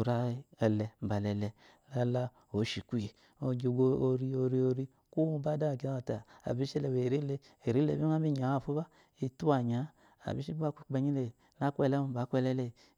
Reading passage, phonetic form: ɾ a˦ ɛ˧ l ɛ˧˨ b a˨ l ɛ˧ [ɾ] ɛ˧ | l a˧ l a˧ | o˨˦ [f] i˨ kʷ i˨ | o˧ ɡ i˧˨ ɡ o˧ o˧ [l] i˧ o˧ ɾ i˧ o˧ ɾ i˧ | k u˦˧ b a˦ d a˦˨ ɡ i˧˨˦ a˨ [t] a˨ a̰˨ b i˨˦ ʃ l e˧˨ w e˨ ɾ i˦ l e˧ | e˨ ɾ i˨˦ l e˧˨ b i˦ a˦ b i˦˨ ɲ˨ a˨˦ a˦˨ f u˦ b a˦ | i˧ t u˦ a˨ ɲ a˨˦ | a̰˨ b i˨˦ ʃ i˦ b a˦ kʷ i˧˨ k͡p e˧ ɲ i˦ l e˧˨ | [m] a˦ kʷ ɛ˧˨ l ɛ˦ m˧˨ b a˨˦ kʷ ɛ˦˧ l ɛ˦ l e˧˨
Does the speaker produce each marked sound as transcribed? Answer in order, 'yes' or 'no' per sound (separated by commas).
no, no, no, yes, no